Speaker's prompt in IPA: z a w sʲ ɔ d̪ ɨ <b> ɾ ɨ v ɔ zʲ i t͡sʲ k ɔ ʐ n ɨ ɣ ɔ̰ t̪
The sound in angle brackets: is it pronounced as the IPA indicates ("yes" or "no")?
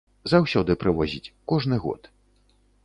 no